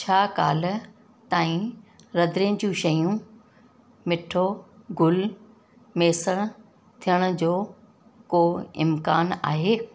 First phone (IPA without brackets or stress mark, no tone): t͡ɕʰ